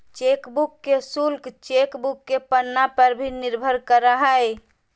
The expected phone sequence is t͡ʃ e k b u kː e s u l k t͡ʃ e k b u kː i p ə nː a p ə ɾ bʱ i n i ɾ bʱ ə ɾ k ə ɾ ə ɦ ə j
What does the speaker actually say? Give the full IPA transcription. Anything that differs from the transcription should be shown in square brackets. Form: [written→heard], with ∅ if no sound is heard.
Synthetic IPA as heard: t͡ʃ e k b u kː e s u l k t͡ʃ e k b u kː [i→e] p ə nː a p ə ɾ bʱ i n i ɾ bʱ ə ɾ k ə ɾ ə ɦ ə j

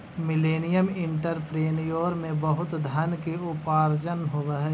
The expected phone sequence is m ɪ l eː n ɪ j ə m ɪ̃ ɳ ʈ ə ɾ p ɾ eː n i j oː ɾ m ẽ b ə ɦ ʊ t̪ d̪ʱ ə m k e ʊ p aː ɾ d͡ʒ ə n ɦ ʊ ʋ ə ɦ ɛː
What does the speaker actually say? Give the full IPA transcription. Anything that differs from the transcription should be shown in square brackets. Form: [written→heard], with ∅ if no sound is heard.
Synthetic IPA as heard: m ɪ l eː n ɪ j ə m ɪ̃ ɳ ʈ ə ɾ p ɾ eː n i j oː ɾ m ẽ b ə ɦ ʊ t̪ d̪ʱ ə [m→n] k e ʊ p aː ɾ d͡ʒ ə n ɦ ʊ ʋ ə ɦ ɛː

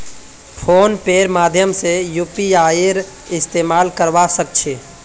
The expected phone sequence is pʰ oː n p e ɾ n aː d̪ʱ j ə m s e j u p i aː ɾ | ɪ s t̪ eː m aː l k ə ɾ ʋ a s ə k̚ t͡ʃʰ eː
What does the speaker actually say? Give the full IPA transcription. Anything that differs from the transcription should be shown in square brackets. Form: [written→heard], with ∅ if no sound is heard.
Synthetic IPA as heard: pʰ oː n p e ɾ [n→m] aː d̪ʱ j ə m s e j u p i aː ɾ | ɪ s t̪ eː m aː l k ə ɾ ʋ a s ə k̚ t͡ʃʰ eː

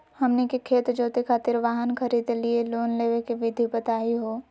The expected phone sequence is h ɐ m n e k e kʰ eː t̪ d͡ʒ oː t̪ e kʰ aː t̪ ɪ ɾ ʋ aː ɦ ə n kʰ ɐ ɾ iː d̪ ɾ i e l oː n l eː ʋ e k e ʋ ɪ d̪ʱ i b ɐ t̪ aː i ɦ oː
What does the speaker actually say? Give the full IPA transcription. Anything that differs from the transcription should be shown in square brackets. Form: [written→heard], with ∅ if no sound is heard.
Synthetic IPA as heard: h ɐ m n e k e kʰ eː t̪ d͡ʒ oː t̪ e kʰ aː t̪ ɪ ɾ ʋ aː ɦ ə n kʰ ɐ ɾ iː d̪ [ɾ→l] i e l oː n l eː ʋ e k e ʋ ɪ d̪ʱ i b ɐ t̪ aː i ɦ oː

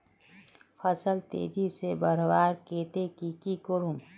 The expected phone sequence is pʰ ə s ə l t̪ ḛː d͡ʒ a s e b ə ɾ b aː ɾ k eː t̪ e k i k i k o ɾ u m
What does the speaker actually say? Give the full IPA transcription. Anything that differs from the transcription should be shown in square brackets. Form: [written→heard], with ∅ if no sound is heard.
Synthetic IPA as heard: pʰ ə s ə l t̪ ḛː d͡ʒ [a→i] s e b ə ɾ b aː ɾ k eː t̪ e k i k i k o ɾ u m

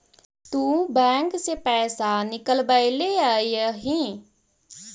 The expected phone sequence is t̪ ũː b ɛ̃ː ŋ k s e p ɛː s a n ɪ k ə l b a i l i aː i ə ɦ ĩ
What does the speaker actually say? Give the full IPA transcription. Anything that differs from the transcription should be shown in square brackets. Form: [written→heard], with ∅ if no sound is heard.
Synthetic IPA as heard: t̪ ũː b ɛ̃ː ŋ k s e p ɛː s a n ɪ k ə l b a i l [i→e] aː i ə ɦ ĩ

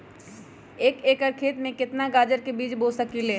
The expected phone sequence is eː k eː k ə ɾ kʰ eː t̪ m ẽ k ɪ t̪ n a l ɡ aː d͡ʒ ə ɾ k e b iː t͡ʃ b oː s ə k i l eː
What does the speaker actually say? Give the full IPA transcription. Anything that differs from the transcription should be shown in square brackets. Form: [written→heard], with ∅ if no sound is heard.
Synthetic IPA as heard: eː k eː k ə ɾ kʰ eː t̪ m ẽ k ɪ t̪ n a [l→∅] ɡ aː d͡ʒ ə ɾ k e b iː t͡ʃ b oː s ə k i l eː

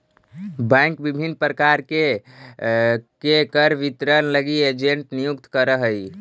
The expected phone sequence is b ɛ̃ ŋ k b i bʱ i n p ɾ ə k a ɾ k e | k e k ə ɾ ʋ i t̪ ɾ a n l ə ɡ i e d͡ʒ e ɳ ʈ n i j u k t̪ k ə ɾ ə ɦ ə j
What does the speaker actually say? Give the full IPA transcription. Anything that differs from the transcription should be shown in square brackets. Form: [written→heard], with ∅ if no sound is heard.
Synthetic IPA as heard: b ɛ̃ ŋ k b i bʱ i n p ɾ ə k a ɾ k e | k e k ə ɾ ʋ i t̪ ɾ [a→ə] n l ə ɡ i e d͡ʒ e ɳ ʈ n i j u k t̪ k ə ɾ ə ɦ ə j

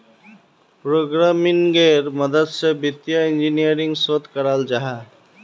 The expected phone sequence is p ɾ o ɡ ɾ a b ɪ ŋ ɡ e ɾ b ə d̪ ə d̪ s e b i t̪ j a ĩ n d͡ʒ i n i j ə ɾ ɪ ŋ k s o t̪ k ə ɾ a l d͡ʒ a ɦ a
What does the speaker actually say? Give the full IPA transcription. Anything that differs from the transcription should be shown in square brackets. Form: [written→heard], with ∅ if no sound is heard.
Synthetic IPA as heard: p ɾ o ɡ ɾ a [b→m] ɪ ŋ ɡ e ɾ [b→m] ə d̪ ə d̪ s e b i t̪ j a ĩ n d͡ʒ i n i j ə ɾ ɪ ŋ [k→ɡ] s o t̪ k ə ɾ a l d͡ʒ a ɦ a

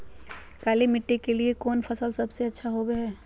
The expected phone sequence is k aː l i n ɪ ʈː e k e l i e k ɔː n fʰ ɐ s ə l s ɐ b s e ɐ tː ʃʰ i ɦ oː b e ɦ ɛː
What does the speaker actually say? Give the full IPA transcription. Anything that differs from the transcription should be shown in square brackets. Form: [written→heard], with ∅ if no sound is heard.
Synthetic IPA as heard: k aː l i [n→m] ɪ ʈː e k e l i e k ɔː n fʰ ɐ s ə l s ɐ b s e ɐ tː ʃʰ [i→a] ɦ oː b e ɦ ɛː

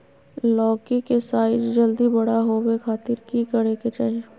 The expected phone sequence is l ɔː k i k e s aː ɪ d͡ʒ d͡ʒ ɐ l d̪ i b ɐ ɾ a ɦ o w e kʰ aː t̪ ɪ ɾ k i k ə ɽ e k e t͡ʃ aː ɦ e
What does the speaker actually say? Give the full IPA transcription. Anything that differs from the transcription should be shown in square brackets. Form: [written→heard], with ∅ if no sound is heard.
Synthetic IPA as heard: l ɔː k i k e s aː ɪ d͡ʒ d͡ʒ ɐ l d̪ i b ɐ [ɾ→ɽ] a ɦ o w e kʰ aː t̪ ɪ ɾ k i k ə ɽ e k e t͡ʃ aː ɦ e

